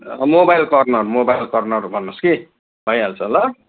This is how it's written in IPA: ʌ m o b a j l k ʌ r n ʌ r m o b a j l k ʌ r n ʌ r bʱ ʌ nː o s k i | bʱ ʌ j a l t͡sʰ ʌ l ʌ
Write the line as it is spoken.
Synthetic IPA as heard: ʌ m o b a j l k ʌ r n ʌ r m o b a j l k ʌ r n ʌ r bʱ ʌ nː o s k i | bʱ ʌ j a l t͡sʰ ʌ l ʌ